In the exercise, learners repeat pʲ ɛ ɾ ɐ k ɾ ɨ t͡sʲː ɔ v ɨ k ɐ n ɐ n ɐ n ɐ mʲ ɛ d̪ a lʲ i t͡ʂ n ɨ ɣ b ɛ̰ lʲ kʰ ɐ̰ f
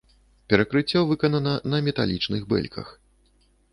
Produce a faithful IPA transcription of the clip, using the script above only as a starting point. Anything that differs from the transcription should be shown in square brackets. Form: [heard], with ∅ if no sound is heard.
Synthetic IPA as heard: pʲ ɛ ɾ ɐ k ɾ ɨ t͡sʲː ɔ v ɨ k ɐ n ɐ n ɐ n ɐ mʲ ɛ [t̪] a lʲ i t͡ʂ n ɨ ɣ b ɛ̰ lʲ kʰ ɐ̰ [x]

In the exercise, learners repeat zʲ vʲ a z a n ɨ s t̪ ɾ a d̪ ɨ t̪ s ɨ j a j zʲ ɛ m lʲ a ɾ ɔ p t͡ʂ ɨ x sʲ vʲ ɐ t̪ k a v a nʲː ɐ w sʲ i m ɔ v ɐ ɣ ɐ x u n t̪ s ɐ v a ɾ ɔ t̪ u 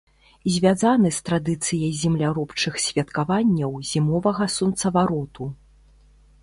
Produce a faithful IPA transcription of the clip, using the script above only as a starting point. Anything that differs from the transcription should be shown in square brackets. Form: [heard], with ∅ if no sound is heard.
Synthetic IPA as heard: zʲ vʲ a z a n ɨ s t̪ ɾ a d̪ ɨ t̪ s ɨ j [ɐ] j zʲ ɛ m lʲ a ɾ ɔ p t͡ʂ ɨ x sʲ vʲ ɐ t̪ k a v a nʲː ɐ w [zʲ] i m ɔ v ɐ ɣ ɐ [s] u n t̪ s ɐ v a ɾ ɔ t̪ u

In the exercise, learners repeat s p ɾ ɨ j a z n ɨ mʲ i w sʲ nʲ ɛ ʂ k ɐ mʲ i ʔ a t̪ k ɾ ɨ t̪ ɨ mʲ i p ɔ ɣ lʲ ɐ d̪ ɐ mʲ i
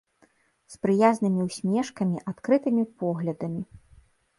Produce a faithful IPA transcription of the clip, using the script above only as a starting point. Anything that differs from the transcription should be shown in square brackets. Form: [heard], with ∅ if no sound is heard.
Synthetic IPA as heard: s p ɾ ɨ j a z n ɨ mʲ i w sʲ [mʲ] ɛ ʂ k ɐ mʲ i ʔ a t̪ k ɾ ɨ t̪ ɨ mʲ i p ɔ ɣ lʲ ɐ d̪ ɐ mʲ i

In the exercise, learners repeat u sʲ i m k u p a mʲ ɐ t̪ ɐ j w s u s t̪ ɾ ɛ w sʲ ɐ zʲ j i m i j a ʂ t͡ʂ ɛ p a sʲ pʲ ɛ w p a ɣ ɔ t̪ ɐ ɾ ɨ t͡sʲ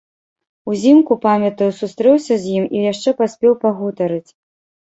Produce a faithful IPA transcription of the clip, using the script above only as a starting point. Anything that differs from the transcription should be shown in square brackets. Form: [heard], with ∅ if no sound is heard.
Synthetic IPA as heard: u [zʲ] i m k u p a mʲ ɐ t̪ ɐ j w s u s t̪ ɾ ɛ w sʲ ɐ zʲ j i m i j a ʂ t͡ʂ ɛ p a sʲ pʲ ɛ w p a ɣ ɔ t̪ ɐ ɾ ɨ t͡sʲ

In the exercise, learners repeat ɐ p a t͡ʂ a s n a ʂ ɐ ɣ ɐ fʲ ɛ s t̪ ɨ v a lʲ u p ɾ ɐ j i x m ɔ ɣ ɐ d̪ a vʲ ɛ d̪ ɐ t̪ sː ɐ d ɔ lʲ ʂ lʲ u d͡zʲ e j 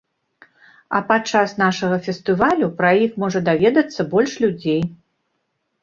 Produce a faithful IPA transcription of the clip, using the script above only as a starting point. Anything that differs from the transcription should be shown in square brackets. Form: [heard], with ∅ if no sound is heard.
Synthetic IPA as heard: ɐ p a t͡ʂ a s n a ʂ ɐ ɣ ɐ fʲ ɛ s t̪ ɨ v a lʲ u p ɾ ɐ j i x m ɔ [ʐ] ɐ d̪ a vʲ ɛ d̪ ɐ t̪ sː ɐ [b] ɔ lʲ ʂ lʲ u d͡zʲ e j

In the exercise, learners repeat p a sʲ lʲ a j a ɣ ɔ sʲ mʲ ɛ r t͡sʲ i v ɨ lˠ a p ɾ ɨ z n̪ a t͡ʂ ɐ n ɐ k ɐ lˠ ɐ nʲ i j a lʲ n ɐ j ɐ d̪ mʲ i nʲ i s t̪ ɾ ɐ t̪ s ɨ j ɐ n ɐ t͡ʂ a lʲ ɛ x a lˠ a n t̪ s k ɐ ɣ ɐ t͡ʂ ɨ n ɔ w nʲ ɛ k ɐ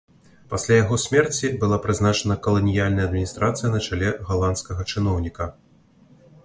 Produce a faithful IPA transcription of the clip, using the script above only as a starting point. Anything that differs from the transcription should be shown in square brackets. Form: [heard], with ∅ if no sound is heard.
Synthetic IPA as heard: p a sʲ lʲ a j a ɣ ɔ sʲ mʲ ɛ r t͡sʲ i [b] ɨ lˠ a p ɾ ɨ z n̪ a t͡ʂ ɐ n ɐ k ɐ lˠ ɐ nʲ i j a lʲ n ɐ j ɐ d̪ mʲ i nʲ i s t̪ ɾ [a] t̪ s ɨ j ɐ n ɐ t͡ʂ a lʲ ɛ [ɣ] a lˠ a n t̪ s k ɐ ɣ ɐ t͡ʂ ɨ n ɔ w nʲ [i] k ɐ

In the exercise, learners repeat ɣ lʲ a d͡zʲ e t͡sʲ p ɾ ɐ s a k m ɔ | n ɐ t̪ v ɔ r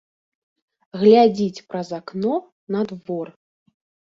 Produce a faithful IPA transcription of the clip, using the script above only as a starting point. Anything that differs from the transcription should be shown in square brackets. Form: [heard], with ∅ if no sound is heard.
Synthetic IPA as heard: ɣ lʲ a d͡zʲ [i] t͡sʲ p ɾ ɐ [z] a k [n] ɔ | n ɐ [d̪] v ɔ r

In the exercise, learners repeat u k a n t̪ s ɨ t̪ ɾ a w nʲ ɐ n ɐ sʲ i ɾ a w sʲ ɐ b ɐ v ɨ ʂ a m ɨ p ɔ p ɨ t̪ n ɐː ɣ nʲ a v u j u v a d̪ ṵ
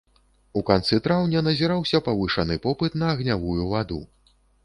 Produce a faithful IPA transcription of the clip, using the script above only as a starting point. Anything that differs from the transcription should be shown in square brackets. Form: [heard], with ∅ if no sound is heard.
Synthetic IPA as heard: u k a n t̪ s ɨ t̪ ɾ a w nʲ ɐ n ɐ [zʲ] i ɾ a w sʲ ɐ [p] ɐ v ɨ ʂ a [n] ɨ p ɔ p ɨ t̪ n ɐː ɣ nʲ a v u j u v a d̪ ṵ

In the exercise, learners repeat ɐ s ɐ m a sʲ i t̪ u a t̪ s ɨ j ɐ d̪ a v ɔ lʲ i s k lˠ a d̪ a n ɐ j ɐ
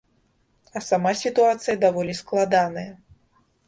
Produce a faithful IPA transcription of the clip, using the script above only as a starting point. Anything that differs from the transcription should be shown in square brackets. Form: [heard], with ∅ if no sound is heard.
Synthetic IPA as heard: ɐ s [a] m a sʲ i t̪ u a t̪ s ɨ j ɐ d̪ a v ɔ lʲ i s k lˠ a d̪ a n ɐ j ɐ

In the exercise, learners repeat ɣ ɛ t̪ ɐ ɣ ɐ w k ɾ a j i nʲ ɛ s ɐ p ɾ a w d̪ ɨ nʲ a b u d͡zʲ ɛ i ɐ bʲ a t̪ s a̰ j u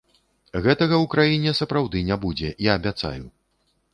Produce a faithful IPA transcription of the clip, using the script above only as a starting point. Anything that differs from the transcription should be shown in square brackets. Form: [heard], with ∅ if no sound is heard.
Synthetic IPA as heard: ɣ ɛ t̪ ɐ ɣ ɐ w k ɾ a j i nʲ ɛ s ɐ p ɾ a w d̪ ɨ nʲ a b u d͡zʲ ɛ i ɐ bʲ a t̪ s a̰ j u

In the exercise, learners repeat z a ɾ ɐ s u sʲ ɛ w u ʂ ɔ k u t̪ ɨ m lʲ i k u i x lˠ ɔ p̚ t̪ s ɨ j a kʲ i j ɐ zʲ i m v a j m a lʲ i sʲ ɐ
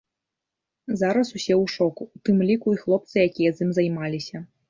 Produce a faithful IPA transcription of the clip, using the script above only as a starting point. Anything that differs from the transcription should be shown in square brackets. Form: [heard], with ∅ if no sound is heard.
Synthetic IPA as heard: z a ɾ ɐ s u sʲ ɛ w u ʂ ɔ k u t̪ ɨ m lʲ i k u i x lˠ ɔ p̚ t̪ s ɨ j a kʲ i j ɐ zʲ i m [z] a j m a lʲ i sʲ ɐ

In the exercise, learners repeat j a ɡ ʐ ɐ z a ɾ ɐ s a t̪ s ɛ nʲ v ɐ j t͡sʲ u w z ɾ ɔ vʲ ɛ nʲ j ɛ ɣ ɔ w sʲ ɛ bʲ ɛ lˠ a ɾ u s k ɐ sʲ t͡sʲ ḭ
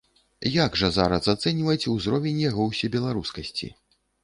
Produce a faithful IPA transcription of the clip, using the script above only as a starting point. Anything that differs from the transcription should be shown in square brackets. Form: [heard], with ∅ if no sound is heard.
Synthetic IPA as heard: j a ɡ ʐ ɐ z a ɾ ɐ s a t̪ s ɛ nʲ v ɐ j t͡sʲ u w z ɾ ɔ vʲ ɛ nʲ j [a] ɣ ɔ w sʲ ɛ bʲ ɛ lˠ a ɾ u s k ɐ sʲ t͡sʲ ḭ

